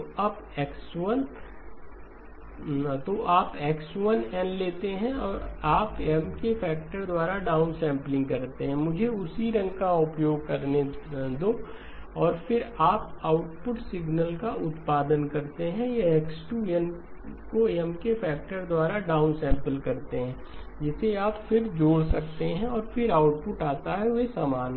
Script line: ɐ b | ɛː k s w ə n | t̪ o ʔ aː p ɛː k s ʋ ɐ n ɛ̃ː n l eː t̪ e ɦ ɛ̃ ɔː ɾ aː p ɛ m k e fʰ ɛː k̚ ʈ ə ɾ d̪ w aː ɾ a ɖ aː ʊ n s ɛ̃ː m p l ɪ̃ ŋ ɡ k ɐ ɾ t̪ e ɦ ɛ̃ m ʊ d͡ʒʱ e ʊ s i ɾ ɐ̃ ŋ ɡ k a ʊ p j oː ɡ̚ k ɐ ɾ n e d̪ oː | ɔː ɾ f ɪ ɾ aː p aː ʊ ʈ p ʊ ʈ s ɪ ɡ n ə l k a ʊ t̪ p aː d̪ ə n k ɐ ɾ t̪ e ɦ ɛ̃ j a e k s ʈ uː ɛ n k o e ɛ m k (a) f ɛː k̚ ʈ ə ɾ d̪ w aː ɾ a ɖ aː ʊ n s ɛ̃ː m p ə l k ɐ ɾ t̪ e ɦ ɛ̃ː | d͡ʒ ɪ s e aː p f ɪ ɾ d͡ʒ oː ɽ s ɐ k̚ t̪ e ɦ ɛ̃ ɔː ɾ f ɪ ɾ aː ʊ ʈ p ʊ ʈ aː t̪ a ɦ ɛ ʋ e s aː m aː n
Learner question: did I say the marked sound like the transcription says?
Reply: no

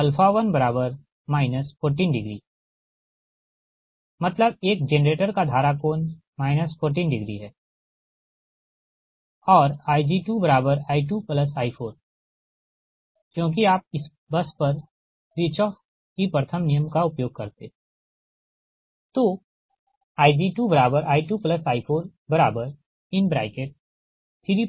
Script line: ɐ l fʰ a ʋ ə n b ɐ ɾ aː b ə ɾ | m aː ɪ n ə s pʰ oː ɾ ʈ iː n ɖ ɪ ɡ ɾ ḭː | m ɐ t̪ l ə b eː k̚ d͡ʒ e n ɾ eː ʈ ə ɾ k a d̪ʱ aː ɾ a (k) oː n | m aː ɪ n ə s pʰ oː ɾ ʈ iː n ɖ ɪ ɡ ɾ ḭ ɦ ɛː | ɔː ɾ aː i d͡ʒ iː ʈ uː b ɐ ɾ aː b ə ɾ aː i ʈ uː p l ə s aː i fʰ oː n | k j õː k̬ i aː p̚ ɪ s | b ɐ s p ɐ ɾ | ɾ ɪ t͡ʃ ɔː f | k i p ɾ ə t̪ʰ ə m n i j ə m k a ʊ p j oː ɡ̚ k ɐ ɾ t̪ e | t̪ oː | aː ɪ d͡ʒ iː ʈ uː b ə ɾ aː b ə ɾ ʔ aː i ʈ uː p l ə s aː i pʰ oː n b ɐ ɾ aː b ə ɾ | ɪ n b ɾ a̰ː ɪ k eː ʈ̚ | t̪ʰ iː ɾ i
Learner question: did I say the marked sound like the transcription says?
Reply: yes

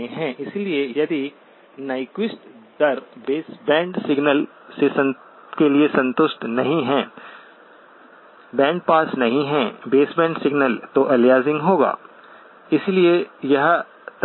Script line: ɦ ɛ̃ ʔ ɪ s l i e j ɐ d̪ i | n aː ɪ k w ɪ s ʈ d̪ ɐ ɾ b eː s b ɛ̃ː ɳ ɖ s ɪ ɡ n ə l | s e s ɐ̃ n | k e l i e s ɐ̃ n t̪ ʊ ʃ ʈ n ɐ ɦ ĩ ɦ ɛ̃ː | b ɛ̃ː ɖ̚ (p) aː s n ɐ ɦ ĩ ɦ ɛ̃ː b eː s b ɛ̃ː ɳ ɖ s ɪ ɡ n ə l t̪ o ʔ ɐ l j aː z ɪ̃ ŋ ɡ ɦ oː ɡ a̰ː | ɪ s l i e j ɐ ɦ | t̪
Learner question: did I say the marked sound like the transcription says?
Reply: yes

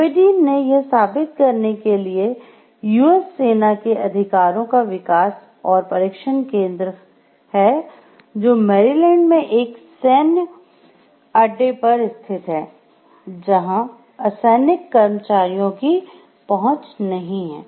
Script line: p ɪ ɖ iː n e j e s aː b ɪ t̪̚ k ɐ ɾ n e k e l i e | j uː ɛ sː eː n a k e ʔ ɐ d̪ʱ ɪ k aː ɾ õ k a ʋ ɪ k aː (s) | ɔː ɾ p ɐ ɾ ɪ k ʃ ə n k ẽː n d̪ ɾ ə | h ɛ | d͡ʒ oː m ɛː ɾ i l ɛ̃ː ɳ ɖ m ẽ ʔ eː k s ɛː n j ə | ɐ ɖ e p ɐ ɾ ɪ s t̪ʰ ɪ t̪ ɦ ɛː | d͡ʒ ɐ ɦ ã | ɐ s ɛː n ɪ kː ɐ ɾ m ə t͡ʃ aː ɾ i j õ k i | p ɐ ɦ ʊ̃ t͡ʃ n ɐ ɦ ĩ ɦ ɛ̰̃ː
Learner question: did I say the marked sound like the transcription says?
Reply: yes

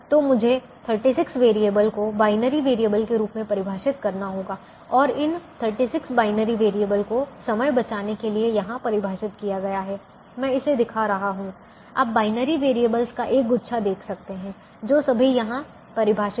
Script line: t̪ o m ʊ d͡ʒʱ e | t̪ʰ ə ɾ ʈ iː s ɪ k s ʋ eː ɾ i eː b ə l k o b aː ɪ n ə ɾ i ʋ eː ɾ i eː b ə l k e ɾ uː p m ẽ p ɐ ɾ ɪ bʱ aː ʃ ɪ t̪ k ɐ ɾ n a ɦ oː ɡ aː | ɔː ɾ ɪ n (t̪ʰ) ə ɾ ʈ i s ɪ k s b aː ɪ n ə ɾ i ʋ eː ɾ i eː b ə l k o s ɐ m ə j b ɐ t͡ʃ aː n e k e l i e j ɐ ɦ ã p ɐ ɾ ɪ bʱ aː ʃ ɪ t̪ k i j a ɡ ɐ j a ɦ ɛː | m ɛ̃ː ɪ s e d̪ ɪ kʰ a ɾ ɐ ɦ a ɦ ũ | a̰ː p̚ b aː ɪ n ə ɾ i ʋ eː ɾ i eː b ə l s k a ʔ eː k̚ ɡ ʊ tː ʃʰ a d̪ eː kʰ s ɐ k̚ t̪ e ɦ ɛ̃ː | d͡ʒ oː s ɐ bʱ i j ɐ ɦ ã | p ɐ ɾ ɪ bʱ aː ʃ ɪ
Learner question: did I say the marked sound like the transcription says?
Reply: yes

